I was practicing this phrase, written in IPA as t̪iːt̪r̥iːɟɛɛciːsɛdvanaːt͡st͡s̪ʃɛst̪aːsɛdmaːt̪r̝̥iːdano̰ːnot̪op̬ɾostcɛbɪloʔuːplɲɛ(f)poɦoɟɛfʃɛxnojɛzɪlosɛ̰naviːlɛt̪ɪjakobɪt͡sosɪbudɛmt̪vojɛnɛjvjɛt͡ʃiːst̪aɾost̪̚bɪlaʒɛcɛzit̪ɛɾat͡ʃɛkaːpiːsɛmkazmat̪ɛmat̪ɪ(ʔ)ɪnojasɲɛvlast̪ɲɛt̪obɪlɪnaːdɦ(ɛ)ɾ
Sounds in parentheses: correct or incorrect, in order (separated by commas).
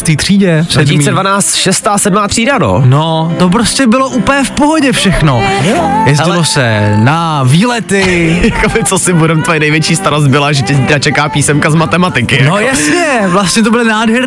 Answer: correct, incorrect, correct